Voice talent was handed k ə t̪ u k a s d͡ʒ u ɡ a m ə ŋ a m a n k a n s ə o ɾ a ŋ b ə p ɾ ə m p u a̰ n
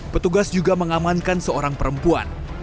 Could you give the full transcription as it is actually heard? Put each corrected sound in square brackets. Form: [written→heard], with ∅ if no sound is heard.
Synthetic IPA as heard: [k→p] ə t̪ u [k→ɡ] a s d͡ʒ u ɡ a m ə ŋ a m a n k a n s ə o ɾ a ŋ [b→p] ə [p→∅] ɾ ə m p u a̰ n